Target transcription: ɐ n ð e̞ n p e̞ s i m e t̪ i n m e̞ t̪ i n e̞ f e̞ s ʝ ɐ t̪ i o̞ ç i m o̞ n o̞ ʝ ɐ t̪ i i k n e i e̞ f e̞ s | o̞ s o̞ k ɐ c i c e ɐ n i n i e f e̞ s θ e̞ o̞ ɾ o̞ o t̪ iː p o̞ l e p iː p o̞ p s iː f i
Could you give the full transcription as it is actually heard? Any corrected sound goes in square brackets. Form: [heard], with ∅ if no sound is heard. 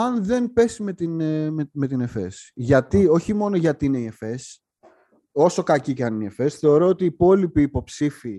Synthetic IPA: ɐ n ð e̞ n p e̞ s i m e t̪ i n m e̞ t̪ i n e̞ f e̞ s ʝ ɐ t̪ i o̞ ç i m o̞ n o̞ ʝ ɐ t̪ i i [∅] n e i e̞ f e̞ s | o̞ s o̞ k ɐ c i c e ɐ n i n i e f e̞ s θ e̞ o̞ ɾ o̞ o t̪ iː p o̞ l [i] p iː p o̞ p s [i] f i